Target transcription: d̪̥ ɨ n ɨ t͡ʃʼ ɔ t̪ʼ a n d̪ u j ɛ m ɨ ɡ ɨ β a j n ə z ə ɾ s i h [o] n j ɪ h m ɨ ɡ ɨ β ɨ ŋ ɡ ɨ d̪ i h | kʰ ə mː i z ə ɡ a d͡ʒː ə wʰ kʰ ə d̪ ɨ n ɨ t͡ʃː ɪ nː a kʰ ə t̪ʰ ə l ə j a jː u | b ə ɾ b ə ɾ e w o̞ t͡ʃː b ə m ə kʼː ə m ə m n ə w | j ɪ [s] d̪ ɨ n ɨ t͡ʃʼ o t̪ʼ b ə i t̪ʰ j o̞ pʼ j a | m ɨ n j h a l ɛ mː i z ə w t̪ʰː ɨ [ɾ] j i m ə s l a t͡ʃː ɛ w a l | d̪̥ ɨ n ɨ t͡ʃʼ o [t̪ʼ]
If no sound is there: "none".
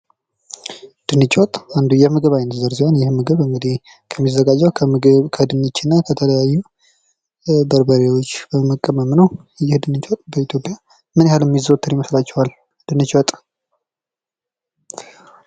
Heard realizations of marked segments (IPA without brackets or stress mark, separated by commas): o, h, ɾ, t̪ʼ